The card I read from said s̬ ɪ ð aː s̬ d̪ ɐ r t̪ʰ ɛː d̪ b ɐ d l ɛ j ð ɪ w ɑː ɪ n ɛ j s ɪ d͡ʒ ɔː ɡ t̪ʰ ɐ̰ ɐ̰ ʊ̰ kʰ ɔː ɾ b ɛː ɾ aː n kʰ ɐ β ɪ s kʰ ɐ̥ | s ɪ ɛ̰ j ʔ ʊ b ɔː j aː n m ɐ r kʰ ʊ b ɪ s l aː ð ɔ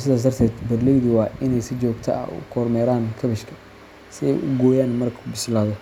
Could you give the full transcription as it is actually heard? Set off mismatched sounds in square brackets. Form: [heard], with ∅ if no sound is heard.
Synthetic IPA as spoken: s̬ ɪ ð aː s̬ d̪ ɐ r t̪ʰ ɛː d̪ b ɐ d l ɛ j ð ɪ w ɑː ɪ n ɛ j s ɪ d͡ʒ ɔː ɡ t̪ʰ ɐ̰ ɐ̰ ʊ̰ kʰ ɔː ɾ [m] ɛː ɾ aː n kʰ ɐ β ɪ [ʃ] kʰ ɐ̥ | s ɪ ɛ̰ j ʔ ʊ [ɡ] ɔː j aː n m ɐ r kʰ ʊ b ɪ s l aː ð ɔ